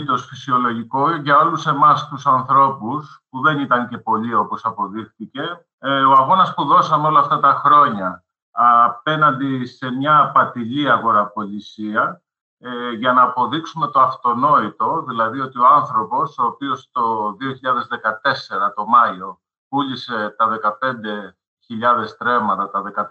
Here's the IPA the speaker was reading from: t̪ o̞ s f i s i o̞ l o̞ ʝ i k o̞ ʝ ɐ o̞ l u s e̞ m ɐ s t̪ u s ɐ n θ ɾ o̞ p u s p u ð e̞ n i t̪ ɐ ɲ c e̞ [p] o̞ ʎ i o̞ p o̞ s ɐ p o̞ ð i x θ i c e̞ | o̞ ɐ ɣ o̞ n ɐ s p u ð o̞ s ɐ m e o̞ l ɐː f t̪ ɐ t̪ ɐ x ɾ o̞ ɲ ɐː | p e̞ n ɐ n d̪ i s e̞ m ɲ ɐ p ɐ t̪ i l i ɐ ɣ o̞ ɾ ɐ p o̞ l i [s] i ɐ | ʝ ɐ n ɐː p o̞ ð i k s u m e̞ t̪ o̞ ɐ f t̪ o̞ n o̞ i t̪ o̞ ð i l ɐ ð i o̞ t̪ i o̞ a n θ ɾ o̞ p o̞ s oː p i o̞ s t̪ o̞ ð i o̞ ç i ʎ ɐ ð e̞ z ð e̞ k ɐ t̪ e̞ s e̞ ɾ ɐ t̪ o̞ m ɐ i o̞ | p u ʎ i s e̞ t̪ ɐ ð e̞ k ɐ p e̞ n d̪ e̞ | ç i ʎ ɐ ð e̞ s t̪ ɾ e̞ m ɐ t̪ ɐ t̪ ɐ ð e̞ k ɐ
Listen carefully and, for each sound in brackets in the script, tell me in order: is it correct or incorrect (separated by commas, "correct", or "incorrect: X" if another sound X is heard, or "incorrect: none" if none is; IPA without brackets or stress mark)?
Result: correct, correct